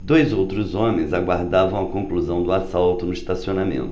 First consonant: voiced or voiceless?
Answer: voiced